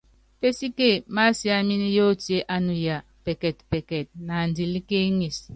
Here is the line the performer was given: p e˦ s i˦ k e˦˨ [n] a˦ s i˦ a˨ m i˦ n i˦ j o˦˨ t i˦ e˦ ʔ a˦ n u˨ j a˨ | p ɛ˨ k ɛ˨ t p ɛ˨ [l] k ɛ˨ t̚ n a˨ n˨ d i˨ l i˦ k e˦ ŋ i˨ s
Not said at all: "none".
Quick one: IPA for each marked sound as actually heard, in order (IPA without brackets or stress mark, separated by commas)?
m, none